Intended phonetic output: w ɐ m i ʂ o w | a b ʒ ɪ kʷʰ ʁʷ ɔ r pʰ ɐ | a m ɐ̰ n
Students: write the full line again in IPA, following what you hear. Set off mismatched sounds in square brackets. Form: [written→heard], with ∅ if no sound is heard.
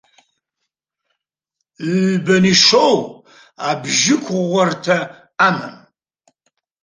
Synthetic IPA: [w→b] ɐ [m→n] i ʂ o w | a b ʒ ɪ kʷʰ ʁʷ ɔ r [pʰ→tʰ] ɐ | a m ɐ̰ [n→m]